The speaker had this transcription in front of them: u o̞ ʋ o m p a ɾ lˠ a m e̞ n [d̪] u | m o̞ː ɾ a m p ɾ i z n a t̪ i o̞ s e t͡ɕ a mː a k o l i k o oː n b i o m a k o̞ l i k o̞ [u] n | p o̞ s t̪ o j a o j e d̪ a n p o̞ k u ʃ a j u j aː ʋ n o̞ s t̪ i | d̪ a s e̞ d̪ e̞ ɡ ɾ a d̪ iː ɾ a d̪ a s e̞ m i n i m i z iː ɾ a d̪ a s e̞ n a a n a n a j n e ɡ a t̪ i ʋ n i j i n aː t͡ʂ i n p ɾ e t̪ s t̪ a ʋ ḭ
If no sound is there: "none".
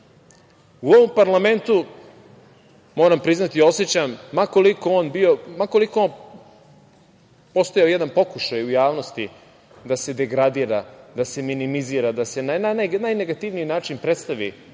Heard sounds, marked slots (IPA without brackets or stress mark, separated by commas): t̪, o